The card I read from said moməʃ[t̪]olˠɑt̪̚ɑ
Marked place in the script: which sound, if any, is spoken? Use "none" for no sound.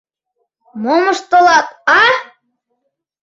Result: t̪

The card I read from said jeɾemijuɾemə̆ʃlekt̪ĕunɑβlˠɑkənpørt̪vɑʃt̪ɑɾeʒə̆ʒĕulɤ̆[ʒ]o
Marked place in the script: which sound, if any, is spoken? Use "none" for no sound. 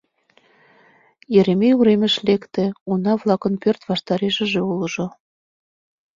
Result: ʒ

